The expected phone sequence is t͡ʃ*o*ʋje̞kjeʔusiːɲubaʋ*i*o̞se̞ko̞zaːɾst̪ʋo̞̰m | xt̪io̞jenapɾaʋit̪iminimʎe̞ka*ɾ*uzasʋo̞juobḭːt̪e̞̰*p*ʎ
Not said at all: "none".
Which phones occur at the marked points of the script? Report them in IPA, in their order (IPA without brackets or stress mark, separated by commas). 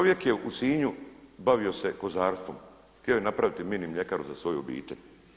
o, i, ɾ, none